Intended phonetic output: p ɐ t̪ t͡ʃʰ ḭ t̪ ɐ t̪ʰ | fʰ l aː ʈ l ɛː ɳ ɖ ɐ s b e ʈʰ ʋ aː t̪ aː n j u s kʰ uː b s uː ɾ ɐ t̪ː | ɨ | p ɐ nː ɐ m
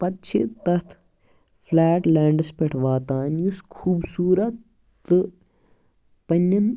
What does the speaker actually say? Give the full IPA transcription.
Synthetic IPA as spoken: p ɐ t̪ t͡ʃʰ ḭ t̪ ɐ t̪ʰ | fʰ l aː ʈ l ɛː ɳ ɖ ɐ s p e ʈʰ ʋ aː t̪ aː n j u s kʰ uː b s uː ɾ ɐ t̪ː | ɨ | p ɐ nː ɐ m